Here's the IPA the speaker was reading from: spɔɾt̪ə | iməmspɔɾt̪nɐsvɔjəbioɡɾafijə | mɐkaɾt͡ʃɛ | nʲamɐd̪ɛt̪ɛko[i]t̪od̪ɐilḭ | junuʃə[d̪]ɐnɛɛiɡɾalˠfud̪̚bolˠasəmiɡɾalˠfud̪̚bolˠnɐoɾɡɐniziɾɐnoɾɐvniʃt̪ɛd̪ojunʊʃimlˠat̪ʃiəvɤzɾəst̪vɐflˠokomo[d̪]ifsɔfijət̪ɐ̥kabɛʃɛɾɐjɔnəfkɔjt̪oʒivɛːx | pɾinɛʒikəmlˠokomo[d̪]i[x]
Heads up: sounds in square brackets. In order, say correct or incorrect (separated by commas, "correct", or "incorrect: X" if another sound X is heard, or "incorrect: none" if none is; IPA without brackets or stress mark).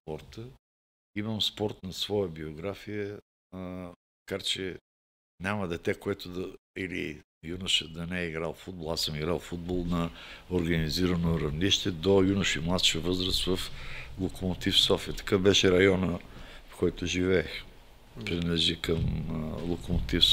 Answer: incorrect: ɛ, correct, incorrect: t̪, incorrect: t̪, incorrect: f